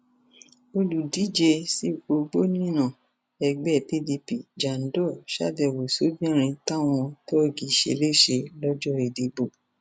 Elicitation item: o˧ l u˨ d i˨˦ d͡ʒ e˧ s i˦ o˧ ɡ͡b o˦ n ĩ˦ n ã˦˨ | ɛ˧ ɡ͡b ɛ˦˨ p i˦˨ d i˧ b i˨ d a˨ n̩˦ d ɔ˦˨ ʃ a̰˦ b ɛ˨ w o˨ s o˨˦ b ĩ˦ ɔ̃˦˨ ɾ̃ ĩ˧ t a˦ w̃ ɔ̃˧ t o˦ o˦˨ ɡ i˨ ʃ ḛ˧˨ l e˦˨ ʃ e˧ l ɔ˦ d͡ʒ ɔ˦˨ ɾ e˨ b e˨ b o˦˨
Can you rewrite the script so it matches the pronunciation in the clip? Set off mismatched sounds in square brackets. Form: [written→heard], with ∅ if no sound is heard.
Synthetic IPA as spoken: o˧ l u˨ d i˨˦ d͡ʒ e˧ s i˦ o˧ ɡ͡b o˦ n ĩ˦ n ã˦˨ | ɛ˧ ɡ͡b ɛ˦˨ p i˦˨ d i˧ [b→p] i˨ [d→d͡ʒ] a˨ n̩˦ d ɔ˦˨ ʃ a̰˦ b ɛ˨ w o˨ s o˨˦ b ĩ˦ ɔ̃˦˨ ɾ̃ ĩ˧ t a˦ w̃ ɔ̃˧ t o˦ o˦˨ ɡ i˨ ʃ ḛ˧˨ l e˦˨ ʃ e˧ l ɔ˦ d͡ʒ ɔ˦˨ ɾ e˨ [b→d] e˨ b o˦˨